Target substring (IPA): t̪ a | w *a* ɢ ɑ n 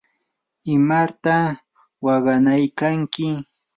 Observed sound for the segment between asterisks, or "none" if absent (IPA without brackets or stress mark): ɑ